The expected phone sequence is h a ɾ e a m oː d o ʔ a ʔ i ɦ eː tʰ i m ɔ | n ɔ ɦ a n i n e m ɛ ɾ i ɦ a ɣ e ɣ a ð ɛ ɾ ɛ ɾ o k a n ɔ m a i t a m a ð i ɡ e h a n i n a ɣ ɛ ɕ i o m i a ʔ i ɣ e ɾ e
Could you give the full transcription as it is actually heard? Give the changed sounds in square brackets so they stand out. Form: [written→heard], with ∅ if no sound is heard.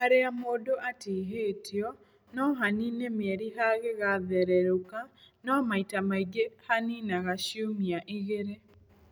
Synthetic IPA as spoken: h a ɾ e a m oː d o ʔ a [ʔ→t] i ɦ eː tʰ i [m→∅] ɔ | n ɔ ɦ a n i n e m ɛ ɾ i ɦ a ɣ e ɣ a ð ɛ ɾ ɛ ɾ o k a n ɔ m a i t a m a [ð→∅] i ɡ e h a n i n a ɣ [ɛ→a] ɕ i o m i a ʔ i ɣ e ɾ e

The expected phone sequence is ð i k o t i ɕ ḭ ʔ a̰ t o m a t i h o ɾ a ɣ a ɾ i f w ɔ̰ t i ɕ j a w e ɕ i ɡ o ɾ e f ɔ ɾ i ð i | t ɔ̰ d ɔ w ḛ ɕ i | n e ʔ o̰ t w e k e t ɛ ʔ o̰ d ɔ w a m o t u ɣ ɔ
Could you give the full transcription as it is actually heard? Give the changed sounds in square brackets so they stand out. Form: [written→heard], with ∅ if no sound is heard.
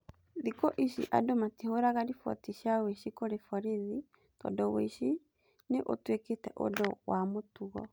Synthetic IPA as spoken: ð i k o [t→ʔ] i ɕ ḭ ʔ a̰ [t→d] o m a t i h o ɾ a ɣ a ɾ i f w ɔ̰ t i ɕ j a w e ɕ i [ɡ→k] o ɾ e f ɔ ɾ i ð i | t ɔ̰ d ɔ w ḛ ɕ i | n e ʔ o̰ t w e k e t ɛ ʔ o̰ d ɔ w a m o t u ɣ ɔ

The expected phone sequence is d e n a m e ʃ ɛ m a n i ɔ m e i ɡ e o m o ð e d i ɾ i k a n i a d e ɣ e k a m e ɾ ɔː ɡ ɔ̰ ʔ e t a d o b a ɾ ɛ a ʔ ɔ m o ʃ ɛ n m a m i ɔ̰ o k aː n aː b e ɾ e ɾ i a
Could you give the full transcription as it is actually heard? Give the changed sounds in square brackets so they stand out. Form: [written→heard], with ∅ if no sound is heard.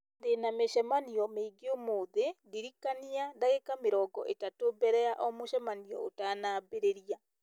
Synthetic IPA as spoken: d e n a m e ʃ ɛ m a n i ɔ m e i ɡ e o m o ð e d i ɾ i k a n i a d [e→a] ɣ e k a m e ɾ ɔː ɡ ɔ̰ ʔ e t a [d→t] o b [a→ɛ] ɾ ɛ a ʔ ɔ m o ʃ ɛ [n→∅] m a [m→n] i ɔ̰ o [k→t] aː n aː b e ɾ e ɾ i a

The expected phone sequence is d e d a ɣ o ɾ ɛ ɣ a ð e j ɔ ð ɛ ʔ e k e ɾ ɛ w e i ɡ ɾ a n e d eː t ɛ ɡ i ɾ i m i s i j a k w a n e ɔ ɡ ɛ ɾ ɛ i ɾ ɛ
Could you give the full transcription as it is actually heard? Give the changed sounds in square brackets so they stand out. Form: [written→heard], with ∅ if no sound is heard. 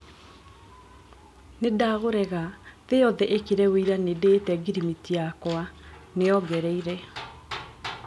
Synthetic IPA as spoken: [d→n] e d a ɣ o ɾ ɛ ɣ a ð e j ɔ ð ɛ ʔ e k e ɾ ɛ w e i [ɡ→∅] ɾ a n e d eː t ɛ ɡ i ɾ i m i [s→t] i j a k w a n e ɔ ɡ ɛ ɾ ɛ i ɾ ɛ

